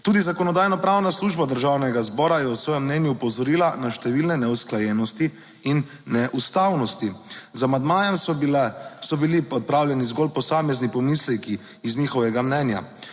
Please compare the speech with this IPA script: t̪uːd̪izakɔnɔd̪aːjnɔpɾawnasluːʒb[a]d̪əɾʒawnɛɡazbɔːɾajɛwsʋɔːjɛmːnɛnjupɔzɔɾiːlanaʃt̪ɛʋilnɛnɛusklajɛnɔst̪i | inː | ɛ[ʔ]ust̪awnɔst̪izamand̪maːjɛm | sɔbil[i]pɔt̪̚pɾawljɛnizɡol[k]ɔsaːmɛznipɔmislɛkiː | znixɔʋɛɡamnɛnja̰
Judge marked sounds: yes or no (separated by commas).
yes, yes, yes, no